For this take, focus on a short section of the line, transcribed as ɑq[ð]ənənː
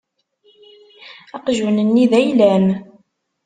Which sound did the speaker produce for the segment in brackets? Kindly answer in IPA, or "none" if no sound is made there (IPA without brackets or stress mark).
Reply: ʒ